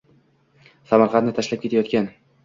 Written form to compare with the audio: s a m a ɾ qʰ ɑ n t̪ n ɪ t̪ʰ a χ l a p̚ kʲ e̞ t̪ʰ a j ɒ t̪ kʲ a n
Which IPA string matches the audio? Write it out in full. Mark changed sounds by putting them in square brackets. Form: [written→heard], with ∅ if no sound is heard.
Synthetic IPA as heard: s a m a ɾ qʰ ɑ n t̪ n ɪ t̪ʰ a [χ→ʃ] l a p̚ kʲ e̞ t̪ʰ a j ɒ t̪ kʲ a n